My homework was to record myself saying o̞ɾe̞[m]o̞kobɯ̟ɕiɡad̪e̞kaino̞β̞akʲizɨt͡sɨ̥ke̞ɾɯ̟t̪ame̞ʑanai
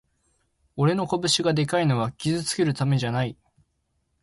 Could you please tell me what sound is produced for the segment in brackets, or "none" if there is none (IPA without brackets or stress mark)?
n